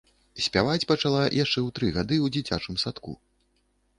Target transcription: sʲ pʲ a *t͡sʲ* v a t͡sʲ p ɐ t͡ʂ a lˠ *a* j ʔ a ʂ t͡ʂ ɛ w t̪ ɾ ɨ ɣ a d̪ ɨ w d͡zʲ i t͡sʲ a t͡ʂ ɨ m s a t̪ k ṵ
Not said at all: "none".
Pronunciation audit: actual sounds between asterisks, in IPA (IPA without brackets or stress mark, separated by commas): none, a